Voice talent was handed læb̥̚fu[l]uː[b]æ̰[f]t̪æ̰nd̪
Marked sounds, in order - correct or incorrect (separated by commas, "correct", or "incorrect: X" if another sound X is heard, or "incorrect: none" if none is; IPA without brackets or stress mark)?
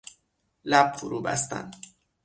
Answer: incorrect: ɾ, correct, incorrect: s